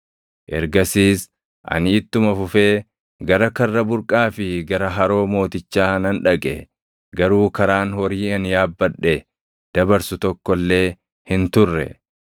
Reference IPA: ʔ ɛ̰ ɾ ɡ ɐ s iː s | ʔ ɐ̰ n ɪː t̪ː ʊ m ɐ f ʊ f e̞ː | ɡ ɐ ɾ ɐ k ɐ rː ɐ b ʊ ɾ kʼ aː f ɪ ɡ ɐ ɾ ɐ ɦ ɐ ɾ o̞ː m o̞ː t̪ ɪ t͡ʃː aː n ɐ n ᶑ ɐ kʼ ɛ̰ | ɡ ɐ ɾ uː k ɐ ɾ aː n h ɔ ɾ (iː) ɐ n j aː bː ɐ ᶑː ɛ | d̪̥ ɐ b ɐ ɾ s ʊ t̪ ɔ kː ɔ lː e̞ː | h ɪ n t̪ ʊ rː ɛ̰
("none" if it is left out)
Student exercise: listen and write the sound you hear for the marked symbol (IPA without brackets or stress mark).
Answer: iː